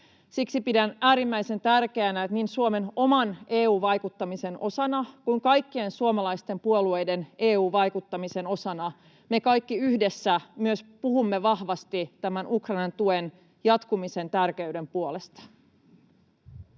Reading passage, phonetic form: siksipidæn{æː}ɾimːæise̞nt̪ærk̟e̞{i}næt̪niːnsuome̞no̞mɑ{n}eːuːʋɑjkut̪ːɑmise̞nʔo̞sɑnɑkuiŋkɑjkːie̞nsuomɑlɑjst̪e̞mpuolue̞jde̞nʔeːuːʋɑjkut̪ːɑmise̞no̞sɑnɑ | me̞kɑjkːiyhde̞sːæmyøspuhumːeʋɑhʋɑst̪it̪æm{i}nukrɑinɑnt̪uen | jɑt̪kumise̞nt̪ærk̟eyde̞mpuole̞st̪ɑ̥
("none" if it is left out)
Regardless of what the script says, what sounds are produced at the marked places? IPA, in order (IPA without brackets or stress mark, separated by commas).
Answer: æː, æ, n, æ